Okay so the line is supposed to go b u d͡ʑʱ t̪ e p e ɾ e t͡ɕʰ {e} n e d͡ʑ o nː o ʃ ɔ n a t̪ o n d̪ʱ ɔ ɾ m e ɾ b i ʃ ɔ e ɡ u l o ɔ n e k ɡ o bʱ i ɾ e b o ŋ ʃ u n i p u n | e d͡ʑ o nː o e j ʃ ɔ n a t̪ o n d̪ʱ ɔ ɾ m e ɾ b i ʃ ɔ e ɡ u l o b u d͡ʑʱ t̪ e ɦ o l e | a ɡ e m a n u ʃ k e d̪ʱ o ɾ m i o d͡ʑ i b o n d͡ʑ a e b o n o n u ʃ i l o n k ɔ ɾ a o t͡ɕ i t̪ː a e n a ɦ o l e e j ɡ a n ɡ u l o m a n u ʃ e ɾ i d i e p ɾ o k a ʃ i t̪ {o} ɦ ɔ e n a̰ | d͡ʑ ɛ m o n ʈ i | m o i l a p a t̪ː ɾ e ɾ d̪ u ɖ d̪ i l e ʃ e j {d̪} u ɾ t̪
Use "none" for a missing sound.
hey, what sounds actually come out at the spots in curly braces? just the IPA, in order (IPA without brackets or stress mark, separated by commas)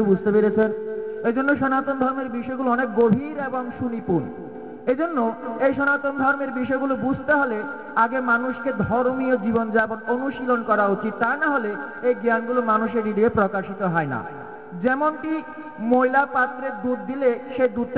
e, o, d̪